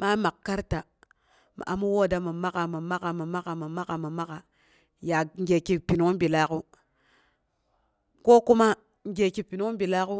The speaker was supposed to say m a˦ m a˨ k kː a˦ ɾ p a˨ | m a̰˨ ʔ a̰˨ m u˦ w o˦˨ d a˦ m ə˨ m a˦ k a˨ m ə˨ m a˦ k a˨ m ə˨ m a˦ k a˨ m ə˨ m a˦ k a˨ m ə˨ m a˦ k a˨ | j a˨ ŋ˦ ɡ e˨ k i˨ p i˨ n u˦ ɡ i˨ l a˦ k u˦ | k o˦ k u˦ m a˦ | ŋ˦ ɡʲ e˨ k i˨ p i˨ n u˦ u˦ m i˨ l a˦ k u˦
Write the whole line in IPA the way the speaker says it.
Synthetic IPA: m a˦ m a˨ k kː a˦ ɾ t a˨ | m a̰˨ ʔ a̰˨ m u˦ w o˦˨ d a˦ m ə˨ m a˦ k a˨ m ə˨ m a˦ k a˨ m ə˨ m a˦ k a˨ m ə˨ m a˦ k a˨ m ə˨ m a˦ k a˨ | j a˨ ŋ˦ ɡ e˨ k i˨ p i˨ n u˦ b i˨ l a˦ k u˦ | k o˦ k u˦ m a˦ | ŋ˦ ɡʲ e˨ k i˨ p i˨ n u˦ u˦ b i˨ l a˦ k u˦